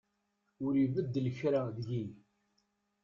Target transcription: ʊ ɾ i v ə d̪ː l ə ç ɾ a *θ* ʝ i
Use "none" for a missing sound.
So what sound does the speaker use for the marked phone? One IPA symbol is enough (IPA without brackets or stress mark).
ð